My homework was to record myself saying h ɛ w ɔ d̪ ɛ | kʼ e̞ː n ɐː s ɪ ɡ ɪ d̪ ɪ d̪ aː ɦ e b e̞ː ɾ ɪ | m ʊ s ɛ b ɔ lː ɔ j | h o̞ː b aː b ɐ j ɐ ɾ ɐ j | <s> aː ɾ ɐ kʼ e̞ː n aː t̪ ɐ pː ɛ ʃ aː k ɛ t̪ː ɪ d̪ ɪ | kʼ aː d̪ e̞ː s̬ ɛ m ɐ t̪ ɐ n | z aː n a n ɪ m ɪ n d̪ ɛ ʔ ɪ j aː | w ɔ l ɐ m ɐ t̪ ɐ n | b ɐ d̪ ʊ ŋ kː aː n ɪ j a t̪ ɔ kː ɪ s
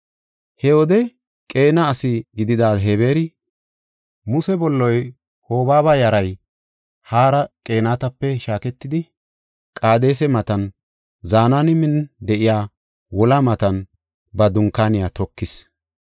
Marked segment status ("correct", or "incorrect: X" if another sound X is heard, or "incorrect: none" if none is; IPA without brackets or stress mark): incorrect: h